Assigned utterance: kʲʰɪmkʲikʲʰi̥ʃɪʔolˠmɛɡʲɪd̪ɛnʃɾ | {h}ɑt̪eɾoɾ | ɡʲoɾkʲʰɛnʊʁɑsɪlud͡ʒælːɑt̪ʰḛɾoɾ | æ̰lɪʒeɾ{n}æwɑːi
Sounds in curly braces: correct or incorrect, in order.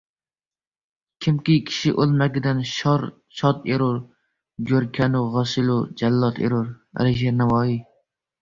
incorrect, correct

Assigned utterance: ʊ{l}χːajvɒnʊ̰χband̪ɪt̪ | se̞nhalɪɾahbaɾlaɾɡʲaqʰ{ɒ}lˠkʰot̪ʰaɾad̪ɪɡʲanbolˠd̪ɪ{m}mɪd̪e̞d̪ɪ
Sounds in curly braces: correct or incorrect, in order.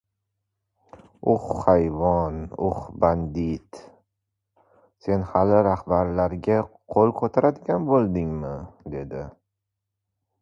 incorrect, incorrect, incorrect

